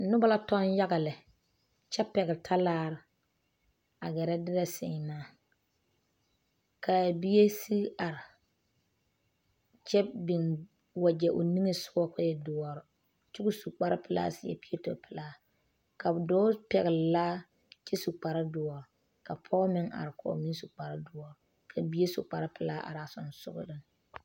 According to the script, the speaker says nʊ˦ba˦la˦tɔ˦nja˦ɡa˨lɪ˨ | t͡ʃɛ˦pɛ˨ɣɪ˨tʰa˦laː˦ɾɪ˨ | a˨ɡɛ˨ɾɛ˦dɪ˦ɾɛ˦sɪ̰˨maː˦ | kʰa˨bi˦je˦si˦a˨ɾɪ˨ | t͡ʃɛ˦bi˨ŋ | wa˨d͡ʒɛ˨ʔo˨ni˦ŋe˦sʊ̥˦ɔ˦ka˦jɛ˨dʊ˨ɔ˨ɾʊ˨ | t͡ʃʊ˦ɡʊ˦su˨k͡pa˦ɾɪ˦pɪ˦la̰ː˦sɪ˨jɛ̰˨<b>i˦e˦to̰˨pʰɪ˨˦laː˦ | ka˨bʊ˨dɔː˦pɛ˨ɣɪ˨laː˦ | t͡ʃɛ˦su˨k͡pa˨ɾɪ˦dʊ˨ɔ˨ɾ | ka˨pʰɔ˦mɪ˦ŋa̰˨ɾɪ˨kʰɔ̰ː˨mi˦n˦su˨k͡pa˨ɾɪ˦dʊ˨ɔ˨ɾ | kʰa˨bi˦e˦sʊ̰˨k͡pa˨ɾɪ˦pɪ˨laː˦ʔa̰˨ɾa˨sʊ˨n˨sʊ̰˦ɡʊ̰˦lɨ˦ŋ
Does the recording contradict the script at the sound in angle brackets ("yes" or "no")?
yes